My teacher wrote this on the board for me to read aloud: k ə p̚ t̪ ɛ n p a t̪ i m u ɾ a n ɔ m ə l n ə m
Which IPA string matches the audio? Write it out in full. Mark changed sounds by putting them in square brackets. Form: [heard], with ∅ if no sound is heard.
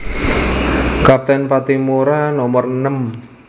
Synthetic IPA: k [a] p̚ t̪ ɛ n p a t̪ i m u ɾ a n ɔ m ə [r] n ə m